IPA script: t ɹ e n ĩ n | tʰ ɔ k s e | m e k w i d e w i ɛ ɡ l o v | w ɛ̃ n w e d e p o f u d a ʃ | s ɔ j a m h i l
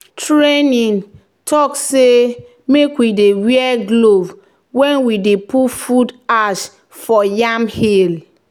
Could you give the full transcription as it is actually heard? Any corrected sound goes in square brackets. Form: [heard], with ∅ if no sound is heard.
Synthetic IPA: t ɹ e n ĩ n | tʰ ɔ k s e | m e k w i d e w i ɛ ɡ l o v | w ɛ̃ n w [i] d e p [u] f u d a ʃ | [f] ɔ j a m h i l